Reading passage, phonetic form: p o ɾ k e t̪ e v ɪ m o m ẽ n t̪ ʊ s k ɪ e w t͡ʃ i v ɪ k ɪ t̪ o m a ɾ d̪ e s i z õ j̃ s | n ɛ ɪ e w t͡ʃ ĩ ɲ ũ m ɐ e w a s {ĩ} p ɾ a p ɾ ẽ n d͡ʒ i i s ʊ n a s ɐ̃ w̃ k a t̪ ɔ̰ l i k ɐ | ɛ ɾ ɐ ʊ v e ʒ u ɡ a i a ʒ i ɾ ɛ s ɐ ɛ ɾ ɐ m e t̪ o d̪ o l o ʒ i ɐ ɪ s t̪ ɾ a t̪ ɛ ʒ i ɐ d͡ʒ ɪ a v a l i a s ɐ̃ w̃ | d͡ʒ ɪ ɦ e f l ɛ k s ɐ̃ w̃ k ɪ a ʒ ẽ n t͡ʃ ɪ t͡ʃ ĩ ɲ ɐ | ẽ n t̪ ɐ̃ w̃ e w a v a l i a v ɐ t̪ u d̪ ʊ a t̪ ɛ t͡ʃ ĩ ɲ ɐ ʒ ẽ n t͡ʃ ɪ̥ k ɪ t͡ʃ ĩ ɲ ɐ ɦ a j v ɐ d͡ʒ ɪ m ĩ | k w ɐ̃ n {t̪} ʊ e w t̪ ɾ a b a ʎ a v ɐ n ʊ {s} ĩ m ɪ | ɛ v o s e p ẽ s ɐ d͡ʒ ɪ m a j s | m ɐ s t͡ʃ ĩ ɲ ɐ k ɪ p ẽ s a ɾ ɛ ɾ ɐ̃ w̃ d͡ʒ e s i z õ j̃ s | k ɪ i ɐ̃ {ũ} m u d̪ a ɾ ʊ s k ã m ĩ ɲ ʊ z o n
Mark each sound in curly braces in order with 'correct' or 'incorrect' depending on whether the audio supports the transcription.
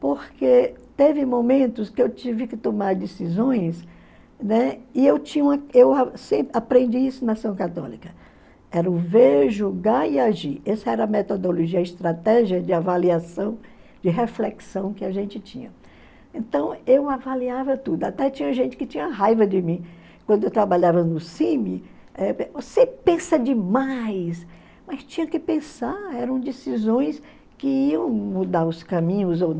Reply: incorrect: ẽ, incorrect: d̪, correct, incorrect: w̃

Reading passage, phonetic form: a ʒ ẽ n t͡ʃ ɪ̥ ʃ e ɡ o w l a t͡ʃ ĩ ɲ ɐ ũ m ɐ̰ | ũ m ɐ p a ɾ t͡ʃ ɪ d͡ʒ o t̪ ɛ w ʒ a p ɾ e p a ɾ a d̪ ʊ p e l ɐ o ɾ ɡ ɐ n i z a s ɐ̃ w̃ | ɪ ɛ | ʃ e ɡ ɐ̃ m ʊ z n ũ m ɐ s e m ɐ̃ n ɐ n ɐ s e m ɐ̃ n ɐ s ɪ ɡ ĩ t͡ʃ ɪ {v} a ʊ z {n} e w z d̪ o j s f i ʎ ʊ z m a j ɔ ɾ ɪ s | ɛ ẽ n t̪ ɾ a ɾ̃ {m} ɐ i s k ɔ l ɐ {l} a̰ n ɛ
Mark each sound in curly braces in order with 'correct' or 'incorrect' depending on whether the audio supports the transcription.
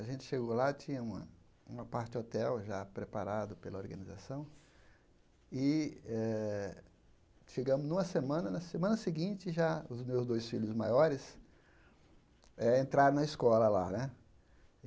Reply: incorrect: ʒ, incorrect: m, incorrect: n, correct

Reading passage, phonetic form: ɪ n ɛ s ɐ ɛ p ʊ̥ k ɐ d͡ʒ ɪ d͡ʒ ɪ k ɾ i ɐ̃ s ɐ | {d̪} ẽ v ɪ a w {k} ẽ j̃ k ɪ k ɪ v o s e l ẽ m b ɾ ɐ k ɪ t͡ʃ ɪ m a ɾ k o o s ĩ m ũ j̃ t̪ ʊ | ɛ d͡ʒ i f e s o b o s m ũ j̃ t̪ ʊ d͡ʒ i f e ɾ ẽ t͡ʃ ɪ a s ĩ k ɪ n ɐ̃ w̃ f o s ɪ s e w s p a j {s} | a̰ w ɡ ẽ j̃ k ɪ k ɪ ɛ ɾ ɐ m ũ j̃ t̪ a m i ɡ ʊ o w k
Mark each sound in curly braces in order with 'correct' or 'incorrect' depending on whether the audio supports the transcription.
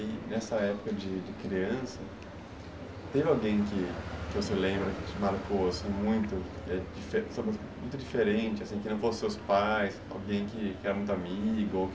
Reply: incorrect: t̪, incorrect: ɡ, correct

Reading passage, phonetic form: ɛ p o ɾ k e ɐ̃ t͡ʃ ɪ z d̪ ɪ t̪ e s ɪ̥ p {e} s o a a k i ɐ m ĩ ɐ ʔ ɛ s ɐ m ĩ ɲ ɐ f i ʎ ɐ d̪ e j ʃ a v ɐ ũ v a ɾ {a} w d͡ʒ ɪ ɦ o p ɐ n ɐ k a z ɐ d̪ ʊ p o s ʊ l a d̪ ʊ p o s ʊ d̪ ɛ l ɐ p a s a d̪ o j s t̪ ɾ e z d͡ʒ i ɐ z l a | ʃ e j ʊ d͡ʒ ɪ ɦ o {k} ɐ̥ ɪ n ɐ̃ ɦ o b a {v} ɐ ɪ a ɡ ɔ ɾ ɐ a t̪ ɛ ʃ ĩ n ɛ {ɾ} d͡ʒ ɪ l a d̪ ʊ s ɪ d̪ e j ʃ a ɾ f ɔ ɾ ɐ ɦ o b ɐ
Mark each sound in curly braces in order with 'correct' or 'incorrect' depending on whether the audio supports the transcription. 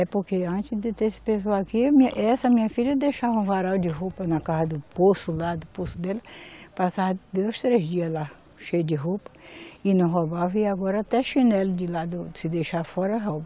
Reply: correct, correct, incorrect: p, correct, incorrect: l

